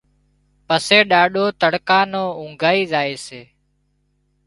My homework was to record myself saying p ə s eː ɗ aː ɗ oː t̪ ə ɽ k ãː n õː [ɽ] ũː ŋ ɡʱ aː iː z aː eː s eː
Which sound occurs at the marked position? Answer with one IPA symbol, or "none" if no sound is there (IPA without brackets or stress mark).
none